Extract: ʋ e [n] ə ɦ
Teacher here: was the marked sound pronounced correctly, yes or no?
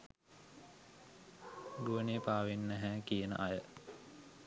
no